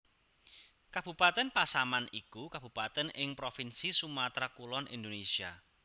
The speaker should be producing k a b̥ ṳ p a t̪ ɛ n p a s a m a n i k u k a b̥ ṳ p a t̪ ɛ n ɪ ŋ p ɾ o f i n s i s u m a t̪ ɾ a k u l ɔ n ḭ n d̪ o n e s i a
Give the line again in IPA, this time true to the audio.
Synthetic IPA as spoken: k a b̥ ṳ p a t̪ ɛ n p a s a m a n i k u k a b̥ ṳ p a t̪ ɛ n ɪ ŋ p ɾ o f i n s i s u m a t̪ ɾ a k u l ɔ n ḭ n d̪ o n e s i a